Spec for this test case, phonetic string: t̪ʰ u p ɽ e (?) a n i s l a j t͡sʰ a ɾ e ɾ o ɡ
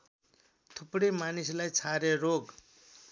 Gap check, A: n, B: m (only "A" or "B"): B